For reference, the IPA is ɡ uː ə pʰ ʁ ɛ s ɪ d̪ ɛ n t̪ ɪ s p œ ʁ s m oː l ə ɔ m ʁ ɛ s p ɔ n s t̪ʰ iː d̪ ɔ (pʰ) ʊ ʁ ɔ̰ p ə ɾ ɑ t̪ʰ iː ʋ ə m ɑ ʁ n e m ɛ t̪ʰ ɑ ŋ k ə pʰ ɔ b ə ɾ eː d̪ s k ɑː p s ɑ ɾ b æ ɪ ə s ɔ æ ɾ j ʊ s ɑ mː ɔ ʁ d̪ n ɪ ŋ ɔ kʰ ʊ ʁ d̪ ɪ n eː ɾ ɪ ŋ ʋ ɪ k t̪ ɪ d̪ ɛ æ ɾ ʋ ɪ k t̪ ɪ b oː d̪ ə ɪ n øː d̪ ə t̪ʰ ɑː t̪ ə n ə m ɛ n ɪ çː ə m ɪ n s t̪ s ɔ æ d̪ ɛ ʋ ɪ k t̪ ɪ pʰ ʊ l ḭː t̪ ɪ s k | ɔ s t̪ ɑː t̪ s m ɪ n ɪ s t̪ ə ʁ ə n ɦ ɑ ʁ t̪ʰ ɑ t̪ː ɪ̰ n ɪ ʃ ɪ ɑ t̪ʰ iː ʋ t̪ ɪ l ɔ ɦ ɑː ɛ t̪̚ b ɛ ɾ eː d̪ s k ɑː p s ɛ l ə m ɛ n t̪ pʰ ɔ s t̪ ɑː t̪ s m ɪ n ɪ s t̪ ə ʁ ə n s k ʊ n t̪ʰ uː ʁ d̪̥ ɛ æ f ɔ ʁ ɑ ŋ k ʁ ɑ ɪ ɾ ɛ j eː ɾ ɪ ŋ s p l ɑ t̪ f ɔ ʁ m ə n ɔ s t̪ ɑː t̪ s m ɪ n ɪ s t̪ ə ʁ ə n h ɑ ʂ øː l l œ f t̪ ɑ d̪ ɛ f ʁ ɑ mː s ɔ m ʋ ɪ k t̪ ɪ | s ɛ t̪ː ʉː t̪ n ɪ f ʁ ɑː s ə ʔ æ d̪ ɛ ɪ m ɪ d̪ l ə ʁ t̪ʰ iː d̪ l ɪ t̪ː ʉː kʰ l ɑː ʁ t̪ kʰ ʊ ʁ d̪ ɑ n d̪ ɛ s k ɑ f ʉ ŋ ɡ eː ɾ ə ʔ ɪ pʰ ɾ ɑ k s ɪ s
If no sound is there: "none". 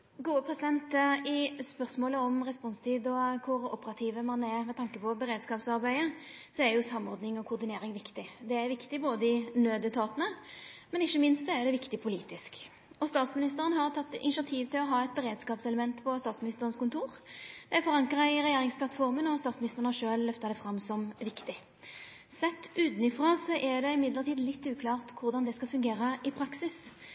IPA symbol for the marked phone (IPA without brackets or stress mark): kʰ